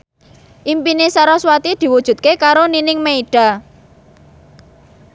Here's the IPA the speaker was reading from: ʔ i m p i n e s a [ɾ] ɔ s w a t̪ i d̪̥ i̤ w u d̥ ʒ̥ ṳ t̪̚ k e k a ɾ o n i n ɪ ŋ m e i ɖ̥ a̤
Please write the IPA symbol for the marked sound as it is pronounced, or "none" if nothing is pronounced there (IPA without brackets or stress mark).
ɾ